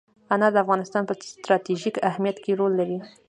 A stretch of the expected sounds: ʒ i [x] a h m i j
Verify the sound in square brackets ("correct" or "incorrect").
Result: incorrect